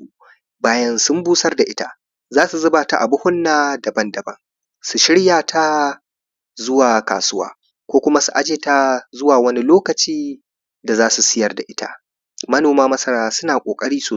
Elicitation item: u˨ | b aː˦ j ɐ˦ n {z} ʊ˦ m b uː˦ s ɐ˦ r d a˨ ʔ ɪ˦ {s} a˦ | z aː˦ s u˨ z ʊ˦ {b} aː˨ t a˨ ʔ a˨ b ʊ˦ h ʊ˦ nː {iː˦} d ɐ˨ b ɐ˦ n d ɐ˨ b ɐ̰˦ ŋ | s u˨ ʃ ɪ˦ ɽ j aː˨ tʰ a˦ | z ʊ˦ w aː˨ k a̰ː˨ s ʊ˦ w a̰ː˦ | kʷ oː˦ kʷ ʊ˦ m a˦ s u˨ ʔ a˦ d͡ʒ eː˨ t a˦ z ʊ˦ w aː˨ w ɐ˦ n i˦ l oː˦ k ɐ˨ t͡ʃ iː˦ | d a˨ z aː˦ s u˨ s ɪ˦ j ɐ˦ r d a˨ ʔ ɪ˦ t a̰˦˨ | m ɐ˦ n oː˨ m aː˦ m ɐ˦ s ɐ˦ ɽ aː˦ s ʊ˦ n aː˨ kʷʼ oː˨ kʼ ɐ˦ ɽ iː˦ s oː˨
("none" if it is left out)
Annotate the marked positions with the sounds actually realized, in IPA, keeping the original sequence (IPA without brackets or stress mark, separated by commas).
s, t, b, aː˦